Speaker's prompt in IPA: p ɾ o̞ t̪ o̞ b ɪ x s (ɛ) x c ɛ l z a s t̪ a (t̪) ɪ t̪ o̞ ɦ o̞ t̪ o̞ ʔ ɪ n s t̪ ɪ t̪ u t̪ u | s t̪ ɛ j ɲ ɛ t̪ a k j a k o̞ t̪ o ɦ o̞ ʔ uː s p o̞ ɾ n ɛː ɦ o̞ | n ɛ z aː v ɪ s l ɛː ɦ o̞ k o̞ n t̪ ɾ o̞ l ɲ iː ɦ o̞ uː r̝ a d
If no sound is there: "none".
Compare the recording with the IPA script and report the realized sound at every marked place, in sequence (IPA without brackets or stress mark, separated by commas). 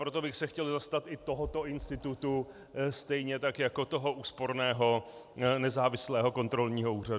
ɛ, t̪